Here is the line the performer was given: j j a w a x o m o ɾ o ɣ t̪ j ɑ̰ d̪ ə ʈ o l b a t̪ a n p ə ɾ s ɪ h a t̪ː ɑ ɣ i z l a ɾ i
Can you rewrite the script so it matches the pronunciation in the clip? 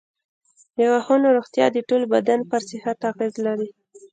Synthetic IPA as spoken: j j a w a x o n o ɾ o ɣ t̪ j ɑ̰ d̪ ə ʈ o l b a d̪ a n p ə ɾ s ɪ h a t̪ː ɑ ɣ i z l a ɾ i